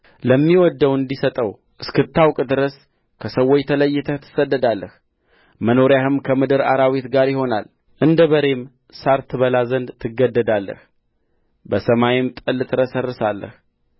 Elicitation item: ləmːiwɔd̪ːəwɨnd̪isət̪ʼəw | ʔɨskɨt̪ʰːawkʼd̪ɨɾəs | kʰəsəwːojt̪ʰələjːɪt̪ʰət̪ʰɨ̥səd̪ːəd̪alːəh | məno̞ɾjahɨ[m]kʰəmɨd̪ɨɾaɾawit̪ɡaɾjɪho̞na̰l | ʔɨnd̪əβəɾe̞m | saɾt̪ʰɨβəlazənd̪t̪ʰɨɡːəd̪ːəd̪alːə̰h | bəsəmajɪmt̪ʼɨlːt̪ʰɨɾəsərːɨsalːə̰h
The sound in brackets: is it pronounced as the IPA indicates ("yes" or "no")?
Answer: yes